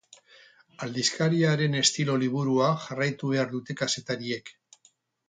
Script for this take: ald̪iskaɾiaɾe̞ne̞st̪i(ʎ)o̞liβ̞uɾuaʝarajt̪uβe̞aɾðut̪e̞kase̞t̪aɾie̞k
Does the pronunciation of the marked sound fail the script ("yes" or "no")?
yes